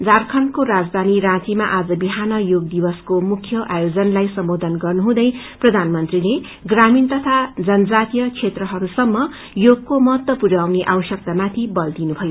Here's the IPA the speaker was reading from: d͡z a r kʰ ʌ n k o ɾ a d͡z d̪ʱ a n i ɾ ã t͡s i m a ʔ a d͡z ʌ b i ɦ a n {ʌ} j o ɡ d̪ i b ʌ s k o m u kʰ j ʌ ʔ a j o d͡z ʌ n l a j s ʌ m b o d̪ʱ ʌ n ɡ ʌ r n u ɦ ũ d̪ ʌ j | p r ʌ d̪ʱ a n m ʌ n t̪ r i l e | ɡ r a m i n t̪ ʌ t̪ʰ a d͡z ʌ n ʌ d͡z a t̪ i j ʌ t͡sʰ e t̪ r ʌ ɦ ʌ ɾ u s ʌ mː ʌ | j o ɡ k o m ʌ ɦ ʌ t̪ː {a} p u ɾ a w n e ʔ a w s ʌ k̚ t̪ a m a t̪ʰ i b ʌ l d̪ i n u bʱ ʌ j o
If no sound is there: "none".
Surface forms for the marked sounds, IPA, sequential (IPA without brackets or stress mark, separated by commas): ʌ, ʌ